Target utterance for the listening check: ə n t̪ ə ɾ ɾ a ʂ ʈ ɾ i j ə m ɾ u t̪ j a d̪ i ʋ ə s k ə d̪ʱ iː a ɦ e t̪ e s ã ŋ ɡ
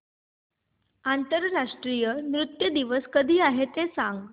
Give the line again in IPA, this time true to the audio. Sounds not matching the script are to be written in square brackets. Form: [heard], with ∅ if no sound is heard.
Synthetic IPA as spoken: [a] n t̪ ə ɾ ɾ a ʂ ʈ ɾ i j ə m ɾ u t̪ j [ə] d̪ i ʋ ə s k ə d̪ʱ iː a ɦ e t̪ e s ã ŋ ɡ

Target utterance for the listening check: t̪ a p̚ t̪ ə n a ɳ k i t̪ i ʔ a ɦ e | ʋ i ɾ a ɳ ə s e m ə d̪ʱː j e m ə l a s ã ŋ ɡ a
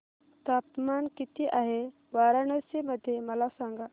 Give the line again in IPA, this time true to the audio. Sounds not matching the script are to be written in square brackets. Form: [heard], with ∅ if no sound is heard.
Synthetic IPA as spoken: t̪ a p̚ t̪ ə [m] a [n] k i t̪ i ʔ a ɦ e | ʋ [a] ɾ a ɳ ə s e m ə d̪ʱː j e m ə l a s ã ŋ ɡ a

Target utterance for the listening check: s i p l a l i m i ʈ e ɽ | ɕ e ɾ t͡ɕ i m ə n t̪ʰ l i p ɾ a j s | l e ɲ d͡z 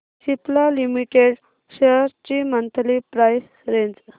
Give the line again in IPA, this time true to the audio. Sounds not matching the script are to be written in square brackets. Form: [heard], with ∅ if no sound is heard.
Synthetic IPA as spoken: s i p l a l i m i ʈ e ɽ | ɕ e ɾ t͡ɕ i m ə n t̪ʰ l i p ɾ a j s | [ɾ] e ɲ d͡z

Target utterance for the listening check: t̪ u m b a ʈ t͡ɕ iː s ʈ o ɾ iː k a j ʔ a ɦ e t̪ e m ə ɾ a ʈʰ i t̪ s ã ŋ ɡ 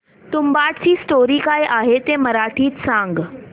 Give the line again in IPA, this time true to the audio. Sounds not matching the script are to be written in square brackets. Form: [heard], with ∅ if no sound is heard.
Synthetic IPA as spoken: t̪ u m b a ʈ t͡ɕ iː s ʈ o ɾ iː k a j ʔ a ɦ e t̪ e m ə ɾ a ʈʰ [iː] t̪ s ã ŋ ɡ

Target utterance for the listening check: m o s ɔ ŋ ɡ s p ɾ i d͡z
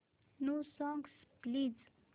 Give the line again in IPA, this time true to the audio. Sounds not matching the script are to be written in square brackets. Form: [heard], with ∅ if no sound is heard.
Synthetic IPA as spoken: [n] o s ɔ ŋ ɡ s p [l] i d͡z

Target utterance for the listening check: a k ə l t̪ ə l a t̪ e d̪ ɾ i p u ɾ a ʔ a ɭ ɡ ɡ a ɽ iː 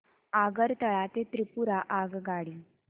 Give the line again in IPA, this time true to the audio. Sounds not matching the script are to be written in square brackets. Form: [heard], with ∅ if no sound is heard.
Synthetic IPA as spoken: a [ɡ] ə [ɾ] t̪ ə [ɭ] a t̪ e [t̪] ɾ i p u ɾ a ʔ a [∅] ɡ ɡ a ɽ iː

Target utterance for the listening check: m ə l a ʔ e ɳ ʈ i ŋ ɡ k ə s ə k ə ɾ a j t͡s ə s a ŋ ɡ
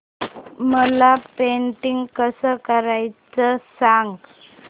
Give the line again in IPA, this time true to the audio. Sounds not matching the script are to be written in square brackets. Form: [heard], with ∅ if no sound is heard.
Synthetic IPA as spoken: m ə l a [p] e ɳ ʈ i ŋ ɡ k ə s ə k ə ɾ a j t͡s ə s a ŋ ɡ

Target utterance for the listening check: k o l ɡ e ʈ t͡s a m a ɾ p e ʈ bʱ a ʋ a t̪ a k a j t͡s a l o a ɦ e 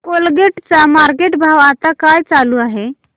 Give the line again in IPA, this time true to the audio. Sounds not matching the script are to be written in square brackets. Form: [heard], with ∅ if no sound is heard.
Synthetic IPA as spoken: k o l ɡ e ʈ t͡s a m a ɾ [k] e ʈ bʱ a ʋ a t̪ a k a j t͡s a l [u] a ɦ e

